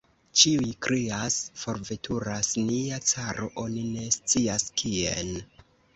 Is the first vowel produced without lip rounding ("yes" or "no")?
yes